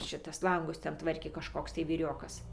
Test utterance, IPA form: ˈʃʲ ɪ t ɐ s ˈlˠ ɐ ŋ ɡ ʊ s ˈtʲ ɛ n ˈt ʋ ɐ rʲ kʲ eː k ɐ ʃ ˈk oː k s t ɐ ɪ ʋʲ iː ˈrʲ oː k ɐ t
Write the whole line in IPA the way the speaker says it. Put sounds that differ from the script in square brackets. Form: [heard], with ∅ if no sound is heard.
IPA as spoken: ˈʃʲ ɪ t ɐ s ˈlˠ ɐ ŋ ɡ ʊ s ˈtʲ ɛ n ˈt ʋ ɐ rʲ kʲ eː k ɐ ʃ ˈk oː k s t ɐ ɪ ʋʲ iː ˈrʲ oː k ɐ [s]

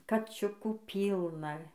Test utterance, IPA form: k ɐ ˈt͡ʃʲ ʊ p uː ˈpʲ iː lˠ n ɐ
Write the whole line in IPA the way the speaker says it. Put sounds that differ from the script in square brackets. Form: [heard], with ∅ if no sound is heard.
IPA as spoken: k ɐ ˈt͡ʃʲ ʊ [k] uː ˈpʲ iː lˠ n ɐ

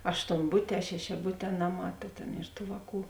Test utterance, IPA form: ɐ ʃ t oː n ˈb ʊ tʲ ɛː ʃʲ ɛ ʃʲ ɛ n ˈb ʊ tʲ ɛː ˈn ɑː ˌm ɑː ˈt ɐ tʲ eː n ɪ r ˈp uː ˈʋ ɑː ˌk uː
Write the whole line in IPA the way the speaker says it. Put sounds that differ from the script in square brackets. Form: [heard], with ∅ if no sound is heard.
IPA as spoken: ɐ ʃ t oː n ˈb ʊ tʲ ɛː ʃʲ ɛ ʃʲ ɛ [∅] ˈb ʊ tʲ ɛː ˈn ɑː ˌm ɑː ˈt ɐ tʲ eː n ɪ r [ˈt] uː ˈʋ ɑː ˌk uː

